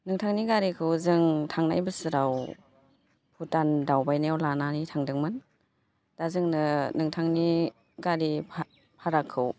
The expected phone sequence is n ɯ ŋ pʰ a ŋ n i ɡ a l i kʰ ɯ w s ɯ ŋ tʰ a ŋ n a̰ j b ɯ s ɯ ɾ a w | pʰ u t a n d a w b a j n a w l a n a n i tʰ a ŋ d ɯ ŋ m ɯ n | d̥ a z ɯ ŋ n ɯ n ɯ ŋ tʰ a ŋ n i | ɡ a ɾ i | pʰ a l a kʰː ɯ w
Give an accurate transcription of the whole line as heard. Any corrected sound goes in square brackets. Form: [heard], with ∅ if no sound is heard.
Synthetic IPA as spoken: n ɯ ŋ [tʰ] a ŋ n i ɡ a [ɾ] i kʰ ɯ w [z] ɯ ŋ tʰ a ŋ n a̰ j b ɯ s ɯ ɾ a w | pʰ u t a n d a w b a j n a w l a n a n i tʰ a ŋ d ɯ ŋ m ɯ n | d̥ a z ɯ ŋ n ɯ n ɯ ŋ tʰ a ŋ n i | ɡ a ɾ i | pʰ a [ɾ] a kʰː ɯ w